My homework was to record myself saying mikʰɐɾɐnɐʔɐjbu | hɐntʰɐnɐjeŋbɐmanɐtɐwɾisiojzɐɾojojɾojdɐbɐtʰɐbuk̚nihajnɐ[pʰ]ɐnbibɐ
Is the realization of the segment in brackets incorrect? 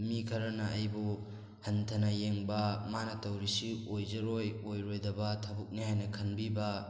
yes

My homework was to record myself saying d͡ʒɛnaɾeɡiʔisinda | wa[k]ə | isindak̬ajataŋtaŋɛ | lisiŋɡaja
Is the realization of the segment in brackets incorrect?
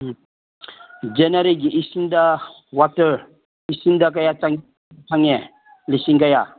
yes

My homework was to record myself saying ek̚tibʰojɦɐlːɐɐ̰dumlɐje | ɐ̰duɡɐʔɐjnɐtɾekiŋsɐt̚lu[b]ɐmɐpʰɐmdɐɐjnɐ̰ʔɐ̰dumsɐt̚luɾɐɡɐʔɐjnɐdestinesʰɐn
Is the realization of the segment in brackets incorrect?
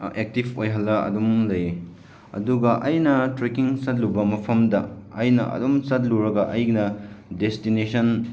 no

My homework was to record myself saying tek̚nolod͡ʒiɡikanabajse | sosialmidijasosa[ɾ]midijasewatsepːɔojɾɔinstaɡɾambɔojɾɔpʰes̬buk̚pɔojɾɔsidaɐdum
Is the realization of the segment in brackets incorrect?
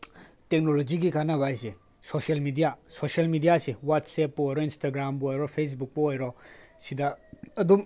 yes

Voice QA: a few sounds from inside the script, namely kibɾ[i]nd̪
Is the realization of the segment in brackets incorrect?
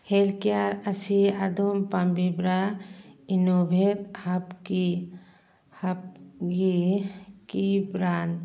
yes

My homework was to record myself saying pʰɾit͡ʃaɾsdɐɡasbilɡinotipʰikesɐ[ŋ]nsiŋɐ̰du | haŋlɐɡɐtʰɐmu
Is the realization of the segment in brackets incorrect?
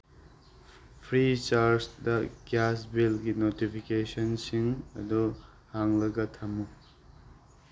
yes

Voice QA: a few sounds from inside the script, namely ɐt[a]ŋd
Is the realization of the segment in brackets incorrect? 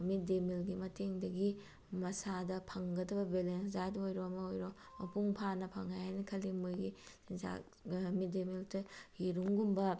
yes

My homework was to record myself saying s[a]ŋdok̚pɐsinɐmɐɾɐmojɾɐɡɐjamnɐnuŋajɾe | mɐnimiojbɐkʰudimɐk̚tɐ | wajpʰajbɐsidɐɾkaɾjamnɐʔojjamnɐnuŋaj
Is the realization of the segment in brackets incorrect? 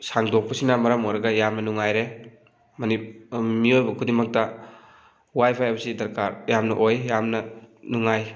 no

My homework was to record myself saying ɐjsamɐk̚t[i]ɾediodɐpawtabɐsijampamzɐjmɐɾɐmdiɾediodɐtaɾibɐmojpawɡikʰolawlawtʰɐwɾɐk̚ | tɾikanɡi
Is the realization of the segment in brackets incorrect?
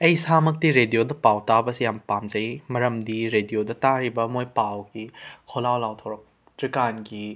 no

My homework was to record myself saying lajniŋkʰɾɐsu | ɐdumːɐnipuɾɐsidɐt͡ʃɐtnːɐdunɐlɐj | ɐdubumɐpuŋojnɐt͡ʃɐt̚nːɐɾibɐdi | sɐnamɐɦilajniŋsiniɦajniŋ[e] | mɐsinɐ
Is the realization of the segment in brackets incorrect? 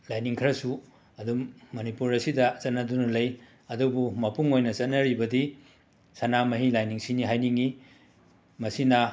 yes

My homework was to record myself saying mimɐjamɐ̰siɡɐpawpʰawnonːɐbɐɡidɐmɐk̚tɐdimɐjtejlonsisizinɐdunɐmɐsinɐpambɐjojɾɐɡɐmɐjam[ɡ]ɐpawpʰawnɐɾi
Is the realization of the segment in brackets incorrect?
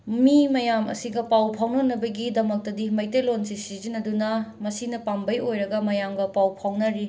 no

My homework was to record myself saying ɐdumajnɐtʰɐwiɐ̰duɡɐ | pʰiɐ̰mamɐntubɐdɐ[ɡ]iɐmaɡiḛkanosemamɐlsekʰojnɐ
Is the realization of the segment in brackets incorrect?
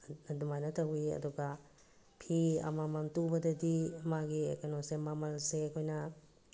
yes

